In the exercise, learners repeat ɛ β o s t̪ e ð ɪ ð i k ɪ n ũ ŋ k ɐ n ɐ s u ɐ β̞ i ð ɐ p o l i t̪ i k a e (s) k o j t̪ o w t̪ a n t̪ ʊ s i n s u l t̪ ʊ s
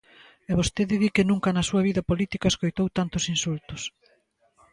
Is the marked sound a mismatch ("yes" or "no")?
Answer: no